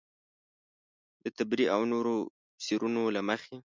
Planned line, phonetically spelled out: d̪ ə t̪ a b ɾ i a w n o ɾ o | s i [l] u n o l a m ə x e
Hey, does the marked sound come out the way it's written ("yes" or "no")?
no